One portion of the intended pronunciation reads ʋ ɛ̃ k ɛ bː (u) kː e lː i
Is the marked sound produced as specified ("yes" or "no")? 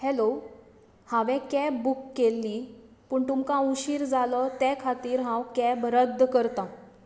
yes